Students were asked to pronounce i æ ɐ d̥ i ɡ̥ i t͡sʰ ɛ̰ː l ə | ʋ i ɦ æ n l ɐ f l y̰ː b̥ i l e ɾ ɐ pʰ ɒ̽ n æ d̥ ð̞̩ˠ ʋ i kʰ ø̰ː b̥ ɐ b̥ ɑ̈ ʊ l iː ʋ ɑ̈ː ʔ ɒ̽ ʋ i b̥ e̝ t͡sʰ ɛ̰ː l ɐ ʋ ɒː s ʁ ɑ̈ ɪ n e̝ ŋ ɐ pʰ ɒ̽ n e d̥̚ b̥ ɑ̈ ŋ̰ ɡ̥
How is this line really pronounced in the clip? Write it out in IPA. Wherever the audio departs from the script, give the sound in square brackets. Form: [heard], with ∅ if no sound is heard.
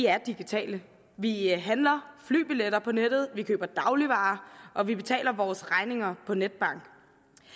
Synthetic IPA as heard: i æ ɐ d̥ i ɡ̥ i t͡sʰ ɛ̰ː l ə | ʋ i ɦ æ n l ɐ f l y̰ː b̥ i l e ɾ ɐ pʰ ɒ̽ n [e] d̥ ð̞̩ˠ ʋ i kʰ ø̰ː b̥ ɐ [d̥] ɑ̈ ʊ l [i] ʋ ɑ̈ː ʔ ɒ̽ ʋ i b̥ e̝ t͡sʰ ɛ̰ː l ɐ ʋ ɒː s ʁ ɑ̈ ɪ n e̝ ŋ ɐ pʰ ɒ̽ n e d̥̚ b̥ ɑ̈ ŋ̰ ɡ̥